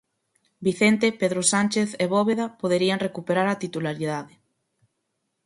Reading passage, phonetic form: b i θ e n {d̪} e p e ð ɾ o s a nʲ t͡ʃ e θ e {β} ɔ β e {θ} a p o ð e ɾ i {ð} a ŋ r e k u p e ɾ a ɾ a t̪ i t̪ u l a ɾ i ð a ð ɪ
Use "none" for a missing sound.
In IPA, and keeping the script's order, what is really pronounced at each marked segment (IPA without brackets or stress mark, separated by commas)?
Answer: t̪, β, ð, none